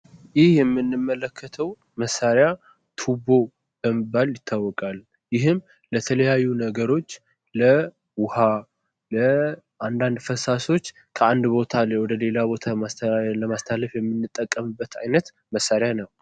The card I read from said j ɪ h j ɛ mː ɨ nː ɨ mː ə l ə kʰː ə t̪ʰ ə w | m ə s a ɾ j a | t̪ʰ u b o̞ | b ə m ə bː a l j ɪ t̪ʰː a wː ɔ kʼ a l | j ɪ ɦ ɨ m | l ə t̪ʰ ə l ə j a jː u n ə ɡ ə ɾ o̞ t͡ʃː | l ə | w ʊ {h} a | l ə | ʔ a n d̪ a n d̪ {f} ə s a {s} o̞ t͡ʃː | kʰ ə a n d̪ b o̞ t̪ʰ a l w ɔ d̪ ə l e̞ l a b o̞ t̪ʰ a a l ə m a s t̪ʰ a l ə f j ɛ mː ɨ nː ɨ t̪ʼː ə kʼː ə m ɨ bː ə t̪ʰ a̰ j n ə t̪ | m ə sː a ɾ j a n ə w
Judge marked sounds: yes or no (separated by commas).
yes, yes, yes